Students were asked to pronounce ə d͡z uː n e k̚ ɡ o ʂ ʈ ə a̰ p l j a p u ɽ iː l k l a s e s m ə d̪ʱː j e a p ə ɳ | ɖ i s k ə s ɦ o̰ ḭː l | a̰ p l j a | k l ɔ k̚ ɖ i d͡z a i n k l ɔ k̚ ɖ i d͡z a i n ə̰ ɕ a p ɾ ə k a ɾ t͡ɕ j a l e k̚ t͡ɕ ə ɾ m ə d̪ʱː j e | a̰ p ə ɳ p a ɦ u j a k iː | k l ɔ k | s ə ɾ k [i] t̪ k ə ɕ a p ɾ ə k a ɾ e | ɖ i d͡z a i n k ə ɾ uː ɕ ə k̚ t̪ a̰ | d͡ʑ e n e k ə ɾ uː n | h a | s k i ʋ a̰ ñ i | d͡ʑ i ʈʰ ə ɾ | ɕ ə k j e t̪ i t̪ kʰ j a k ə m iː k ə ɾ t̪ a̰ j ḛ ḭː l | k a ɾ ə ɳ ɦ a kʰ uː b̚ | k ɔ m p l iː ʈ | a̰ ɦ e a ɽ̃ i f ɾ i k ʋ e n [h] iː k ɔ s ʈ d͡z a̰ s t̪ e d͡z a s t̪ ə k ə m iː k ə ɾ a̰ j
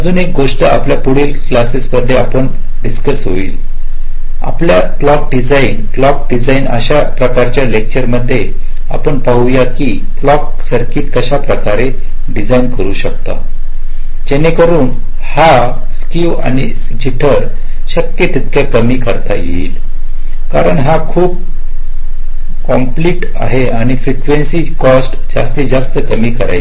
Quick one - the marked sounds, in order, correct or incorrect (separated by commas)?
incorrect, incorrect